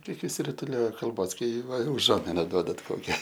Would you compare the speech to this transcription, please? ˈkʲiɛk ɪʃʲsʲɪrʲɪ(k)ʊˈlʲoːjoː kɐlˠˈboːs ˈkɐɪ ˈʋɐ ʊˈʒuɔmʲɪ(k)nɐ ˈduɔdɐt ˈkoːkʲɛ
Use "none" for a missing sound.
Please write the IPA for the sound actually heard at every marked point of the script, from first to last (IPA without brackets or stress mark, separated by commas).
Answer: t, none